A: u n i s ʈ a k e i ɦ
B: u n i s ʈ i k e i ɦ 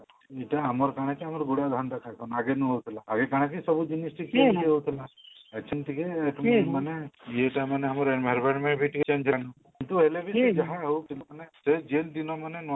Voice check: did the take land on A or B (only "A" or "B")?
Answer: B